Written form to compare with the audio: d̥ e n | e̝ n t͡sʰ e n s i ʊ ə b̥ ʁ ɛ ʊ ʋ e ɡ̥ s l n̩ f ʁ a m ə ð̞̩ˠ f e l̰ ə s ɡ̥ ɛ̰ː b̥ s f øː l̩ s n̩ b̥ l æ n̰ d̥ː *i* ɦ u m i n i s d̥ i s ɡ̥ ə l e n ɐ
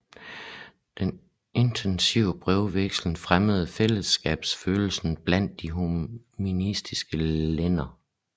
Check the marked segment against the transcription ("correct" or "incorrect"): correct